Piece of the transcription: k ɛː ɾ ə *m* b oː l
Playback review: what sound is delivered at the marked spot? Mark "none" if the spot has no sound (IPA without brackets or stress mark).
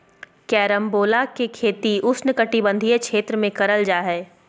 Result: m